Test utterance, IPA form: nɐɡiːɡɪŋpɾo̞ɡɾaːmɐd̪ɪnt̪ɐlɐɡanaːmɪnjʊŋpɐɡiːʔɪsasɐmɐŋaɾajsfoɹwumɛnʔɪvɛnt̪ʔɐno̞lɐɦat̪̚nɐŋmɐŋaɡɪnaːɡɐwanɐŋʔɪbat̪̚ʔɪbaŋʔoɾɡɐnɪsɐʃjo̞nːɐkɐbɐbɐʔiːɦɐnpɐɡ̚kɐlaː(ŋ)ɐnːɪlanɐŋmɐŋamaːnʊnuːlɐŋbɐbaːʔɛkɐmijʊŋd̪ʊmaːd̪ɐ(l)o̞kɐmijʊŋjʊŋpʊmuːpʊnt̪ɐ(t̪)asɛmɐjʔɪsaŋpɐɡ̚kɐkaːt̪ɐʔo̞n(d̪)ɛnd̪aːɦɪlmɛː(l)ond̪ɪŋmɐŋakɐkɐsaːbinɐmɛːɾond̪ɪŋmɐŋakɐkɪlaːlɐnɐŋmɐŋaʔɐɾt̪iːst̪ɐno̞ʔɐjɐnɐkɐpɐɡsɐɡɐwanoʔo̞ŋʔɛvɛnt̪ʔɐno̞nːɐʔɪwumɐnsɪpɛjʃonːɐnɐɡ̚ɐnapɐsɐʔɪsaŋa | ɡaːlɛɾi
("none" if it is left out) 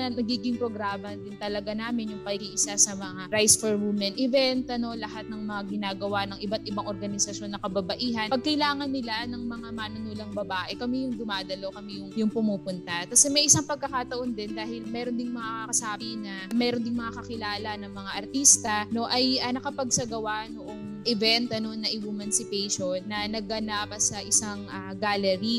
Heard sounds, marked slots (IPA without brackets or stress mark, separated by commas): ŋ, l, t̪, d̪, ɾ